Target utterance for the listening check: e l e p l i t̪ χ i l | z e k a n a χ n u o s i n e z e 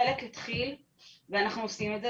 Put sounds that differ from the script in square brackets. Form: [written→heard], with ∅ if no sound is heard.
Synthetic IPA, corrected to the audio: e l e [p→k] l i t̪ χ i l | [z→v] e [k→∅] a n a χ n u o s i [n→m] e z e